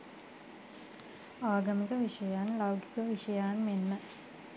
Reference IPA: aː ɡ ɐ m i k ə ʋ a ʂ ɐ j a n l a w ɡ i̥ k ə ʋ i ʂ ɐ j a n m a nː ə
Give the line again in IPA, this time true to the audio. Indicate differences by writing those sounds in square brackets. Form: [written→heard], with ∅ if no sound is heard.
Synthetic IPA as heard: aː ɡ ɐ m i k ə ʋ [a→i] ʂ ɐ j a n l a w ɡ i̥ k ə ʋ i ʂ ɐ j a n m [a→e] nː ə